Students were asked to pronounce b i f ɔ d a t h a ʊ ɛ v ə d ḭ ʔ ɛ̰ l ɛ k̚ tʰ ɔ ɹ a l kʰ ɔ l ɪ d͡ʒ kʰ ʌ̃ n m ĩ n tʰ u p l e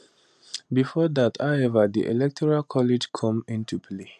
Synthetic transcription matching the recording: b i f ɔ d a t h a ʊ ɛ v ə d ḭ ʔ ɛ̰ l ɛ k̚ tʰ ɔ ɹ a l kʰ ɔ l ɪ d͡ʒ kʰ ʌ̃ m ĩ n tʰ u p l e